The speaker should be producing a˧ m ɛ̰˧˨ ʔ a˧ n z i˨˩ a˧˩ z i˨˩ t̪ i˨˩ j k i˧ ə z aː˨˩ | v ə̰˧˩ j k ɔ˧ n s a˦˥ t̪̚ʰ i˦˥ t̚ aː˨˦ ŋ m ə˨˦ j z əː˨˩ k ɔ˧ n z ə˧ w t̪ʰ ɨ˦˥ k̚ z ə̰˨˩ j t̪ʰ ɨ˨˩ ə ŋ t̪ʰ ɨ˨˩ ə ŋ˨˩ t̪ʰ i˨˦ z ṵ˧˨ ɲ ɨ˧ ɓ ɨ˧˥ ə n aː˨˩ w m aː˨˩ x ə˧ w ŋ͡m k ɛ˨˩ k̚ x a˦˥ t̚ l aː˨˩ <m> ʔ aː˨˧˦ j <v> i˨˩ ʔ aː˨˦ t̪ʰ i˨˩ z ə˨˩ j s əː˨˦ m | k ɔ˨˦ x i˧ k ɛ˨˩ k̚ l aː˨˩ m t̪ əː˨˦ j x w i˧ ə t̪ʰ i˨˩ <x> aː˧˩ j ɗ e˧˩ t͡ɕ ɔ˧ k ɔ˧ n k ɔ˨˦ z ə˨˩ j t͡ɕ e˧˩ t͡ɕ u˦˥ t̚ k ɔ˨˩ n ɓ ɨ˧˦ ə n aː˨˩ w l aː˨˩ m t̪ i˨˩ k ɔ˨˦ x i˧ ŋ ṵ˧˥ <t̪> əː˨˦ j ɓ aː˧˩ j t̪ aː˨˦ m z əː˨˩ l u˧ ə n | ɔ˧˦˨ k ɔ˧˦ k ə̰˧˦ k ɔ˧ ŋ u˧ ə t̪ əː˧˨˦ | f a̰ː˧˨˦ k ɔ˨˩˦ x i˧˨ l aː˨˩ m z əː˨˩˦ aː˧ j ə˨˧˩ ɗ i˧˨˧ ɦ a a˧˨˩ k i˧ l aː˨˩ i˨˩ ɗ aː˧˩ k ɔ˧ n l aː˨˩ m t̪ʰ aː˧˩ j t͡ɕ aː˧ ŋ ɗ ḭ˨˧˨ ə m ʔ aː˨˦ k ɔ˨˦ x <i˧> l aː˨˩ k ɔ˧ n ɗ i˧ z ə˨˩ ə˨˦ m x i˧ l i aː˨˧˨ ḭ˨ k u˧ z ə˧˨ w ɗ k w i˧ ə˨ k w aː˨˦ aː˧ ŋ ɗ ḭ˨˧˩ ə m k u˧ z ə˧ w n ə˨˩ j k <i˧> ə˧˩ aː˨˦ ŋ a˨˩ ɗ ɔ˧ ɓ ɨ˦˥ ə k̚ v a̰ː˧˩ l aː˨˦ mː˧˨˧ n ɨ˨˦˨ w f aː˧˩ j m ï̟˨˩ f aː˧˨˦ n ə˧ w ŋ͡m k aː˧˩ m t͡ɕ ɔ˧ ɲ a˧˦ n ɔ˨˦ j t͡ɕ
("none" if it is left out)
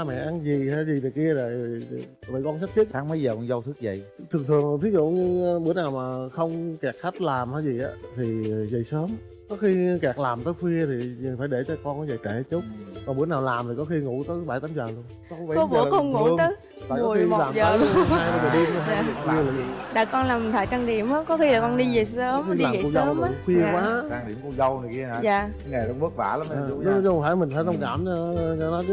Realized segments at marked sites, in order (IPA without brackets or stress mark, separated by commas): m, z, f, t̪, i˧, i˧